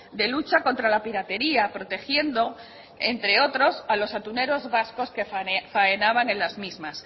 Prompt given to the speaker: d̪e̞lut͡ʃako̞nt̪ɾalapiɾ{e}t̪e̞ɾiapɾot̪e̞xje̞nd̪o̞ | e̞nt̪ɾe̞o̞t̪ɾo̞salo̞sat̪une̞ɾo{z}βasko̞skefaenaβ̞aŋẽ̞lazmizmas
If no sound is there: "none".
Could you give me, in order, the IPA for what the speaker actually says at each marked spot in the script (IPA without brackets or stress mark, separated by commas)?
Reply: a, z